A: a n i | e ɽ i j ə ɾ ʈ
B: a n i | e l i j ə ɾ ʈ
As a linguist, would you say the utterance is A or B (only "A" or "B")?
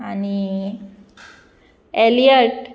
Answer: B